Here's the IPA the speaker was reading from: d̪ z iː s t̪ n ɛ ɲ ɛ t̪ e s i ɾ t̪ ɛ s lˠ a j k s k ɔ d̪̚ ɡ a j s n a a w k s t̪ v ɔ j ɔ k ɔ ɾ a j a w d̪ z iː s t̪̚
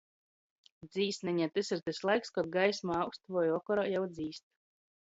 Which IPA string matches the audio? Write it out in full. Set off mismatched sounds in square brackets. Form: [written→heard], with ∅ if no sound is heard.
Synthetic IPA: d̪ z iː s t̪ n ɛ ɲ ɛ t̪ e s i ɾ t̪ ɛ s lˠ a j k s k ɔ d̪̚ ɡ a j s [n→m] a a w k s t̪ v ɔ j ɔ k ɔ ɾ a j a w d̪ z iː s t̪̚